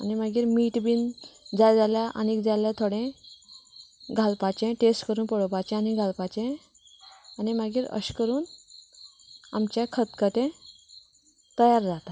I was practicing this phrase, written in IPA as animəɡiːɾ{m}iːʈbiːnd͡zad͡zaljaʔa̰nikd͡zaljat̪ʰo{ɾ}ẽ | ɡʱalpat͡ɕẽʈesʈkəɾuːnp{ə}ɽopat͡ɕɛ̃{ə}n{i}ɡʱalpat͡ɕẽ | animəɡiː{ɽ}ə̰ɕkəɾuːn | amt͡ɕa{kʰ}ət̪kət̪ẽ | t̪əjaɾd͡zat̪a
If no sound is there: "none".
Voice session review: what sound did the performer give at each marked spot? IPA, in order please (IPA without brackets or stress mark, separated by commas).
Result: m, ɽ, ə, a, i, ɾ, kʰ